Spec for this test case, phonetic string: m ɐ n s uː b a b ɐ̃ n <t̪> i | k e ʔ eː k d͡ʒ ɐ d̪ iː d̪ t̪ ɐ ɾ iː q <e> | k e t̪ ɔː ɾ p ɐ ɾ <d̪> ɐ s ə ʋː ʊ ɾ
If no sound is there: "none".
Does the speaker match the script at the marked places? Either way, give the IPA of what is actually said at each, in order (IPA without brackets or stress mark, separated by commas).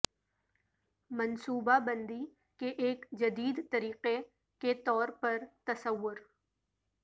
d̪, e, t̪